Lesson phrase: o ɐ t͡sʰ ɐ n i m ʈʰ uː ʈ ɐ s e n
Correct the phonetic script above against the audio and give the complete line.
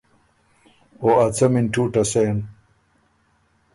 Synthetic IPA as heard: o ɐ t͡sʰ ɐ m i n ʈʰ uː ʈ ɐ s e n